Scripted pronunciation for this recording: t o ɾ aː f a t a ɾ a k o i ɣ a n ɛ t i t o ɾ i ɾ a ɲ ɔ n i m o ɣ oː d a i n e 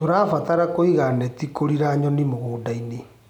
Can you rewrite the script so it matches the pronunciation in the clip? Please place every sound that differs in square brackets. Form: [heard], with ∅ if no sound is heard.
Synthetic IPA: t o ɾ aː f a t a ɾ a k o i ɣ a n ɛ t i [k] o ɾ i ɾ a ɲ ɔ n i m o ɣ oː d a i n e